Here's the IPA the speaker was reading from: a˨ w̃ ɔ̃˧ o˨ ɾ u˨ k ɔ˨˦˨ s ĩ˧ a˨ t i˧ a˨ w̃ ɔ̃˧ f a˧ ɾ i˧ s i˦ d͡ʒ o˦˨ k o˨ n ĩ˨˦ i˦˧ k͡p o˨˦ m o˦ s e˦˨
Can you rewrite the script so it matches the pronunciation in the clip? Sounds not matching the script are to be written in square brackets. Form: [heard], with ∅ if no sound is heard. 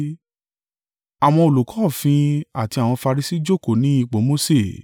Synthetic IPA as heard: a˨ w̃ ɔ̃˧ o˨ [l] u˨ k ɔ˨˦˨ [f] ĩ˧ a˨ t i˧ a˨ w̃ ɔ̃˧ f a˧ ɾ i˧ s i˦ d͡ʒ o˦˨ k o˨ n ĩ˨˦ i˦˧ k͡p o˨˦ m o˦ s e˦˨